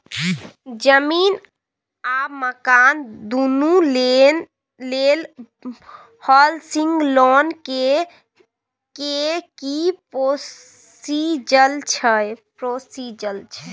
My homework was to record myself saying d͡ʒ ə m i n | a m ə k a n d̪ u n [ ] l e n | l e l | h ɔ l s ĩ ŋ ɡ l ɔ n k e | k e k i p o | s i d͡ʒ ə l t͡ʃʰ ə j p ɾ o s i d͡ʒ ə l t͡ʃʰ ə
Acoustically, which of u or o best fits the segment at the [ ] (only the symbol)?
u